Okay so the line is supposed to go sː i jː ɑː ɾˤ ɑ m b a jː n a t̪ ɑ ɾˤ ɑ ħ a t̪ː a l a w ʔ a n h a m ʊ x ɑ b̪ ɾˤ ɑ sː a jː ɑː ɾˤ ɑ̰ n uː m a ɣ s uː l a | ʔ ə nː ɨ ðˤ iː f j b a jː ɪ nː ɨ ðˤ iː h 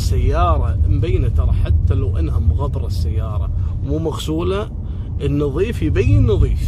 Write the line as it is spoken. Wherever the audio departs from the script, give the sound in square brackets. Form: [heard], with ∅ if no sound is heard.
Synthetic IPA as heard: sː [a] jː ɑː ɾˤ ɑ m b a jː n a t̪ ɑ ɾˤ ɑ ħ a t̪ː a l a w ʔ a n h a m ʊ [ɣ] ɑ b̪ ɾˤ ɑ sː a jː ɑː ɾˤ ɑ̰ [m] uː m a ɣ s uː l a | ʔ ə nː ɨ ðˤ iː f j b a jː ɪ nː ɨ ðˤ iː [f]